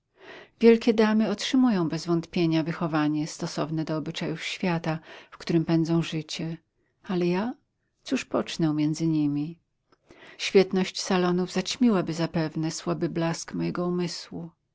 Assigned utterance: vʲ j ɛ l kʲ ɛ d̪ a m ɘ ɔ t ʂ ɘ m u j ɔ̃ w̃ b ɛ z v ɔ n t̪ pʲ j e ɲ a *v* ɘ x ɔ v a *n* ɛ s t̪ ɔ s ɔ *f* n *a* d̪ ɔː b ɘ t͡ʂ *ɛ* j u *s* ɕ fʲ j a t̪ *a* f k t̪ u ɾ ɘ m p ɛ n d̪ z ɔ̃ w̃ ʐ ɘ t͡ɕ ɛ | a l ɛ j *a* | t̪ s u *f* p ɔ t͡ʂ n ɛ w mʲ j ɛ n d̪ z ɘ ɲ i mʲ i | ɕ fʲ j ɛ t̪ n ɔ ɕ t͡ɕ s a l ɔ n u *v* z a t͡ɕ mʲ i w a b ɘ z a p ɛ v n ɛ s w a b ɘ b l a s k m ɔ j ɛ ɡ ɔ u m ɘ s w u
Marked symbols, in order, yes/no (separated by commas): yes, no, no, no, no, no, yes, yes, no, yes